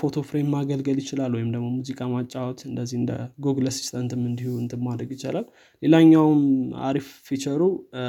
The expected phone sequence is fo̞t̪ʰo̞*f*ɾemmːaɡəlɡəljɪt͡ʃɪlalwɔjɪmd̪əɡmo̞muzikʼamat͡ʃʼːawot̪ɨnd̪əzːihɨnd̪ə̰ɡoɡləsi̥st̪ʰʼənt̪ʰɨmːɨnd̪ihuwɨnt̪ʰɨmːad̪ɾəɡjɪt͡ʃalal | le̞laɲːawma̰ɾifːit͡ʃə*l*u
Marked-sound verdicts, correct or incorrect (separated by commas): correct, incorrect